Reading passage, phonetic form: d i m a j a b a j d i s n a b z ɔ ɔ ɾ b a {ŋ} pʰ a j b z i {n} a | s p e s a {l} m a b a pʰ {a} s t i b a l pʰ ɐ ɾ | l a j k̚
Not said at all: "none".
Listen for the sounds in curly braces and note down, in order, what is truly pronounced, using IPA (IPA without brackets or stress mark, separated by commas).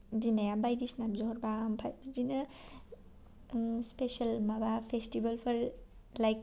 m, n, l, e